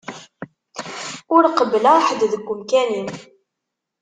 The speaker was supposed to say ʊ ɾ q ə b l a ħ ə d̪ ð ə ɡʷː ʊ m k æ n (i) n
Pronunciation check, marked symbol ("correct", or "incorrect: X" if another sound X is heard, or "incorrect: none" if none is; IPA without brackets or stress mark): correct